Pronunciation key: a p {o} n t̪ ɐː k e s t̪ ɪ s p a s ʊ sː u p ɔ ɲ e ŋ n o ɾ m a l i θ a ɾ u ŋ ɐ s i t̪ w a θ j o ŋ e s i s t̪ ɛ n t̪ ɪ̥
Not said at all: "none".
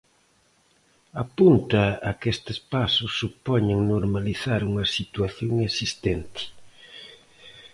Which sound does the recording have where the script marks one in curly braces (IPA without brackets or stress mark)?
u